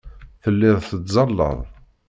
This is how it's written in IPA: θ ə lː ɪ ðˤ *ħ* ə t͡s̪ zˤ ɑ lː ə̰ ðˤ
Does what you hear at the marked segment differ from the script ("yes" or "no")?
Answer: yes